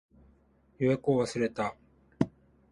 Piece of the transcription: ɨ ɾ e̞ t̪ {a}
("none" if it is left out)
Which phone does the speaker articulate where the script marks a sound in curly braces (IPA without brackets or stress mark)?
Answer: a